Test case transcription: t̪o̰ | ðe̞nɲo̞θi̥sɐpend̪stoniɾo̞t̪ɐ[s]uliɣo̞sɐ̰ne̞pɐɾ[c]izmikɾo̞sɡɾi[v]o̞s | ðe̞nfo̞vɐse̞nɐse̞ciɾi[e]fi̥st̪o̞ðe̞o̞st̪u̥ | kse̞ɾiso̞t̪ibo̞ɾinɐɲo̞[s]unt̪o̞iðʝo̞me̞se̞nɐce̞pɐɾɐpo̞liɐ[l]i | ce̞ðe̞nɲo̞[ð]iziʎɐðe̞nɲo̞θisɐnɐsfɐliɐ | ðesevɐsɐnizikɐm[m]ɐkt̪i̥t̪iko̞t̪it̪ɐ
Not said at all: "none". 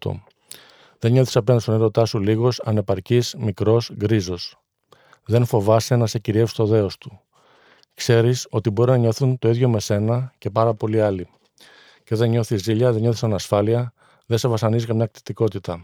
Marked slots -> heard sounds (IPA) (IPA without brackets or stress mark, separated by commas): s, c, z, e, θ, l, θ, ɲ